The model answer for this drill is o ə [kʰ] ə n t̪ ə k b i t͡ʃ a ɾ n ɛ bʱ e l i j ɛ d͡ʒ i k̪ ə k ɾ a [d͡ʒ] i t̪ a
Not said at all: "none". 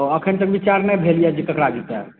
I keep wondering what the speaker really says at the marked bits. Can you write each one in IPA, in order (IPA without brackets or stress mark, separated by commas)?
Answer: kʰ, d͡ʒ